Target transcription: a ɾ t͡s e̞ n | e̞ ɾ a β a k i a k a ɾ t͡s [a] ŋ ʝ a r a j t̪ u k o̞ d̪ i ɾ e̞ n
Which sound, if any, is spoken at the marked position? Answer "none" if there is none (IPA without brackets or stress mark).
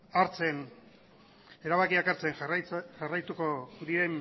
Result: e